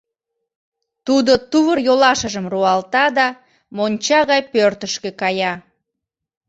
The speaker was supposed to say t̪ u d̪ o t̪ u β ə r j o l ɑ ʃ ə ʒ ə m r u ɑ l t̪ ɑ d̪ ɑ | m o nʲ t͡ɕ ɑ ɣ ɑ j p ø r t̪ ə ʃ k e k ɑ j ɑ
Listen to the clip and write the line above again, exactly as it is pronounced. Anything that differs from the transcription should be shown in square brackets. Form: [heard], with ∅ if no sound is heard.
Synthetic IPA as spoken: t̪ u d̪ o t̪ u β ə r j o l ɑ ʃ ə ʒ ə m r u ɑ l t̪ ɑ d̪ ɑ | m o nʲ t͡ɕ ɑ ɣ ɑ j p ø r t̪ ə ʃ k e k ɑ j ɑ